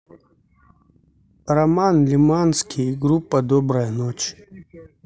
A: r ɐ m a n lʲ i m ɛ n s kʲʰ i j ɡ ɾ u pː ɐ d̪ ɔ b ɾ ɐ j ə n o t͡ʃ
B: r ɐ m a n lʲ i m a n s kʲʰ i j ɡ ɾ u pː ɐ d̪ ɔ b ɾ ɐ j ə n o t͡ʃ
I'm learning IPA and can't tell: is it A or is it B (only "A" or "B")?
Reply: B